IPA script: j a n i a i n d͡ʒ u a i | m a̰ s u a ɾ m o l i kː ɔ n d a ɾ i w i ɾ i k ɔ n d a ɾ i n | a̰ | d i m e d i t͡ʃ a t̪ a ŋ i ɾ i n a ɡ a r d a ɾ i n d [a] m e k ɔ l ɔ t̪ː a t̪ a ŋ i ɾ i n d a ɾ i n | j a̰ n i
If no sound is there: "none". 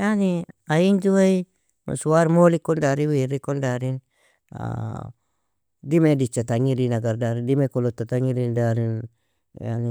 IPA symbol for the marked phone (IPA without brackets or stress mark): i